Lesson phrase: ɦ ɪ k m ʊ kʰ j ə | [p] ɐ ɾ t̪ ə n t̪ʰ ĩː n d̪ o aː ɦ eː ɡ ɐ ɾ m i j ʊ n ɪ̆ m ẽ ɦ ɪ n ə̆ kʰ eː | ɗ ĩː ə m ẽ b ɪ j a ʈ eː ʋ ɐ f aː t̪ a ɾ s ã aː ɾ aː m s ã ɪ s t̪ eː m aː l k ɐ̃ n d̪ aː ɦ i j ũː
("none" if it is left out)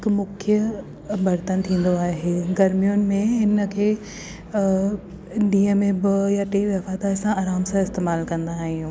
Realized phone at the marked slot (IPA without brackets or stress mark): b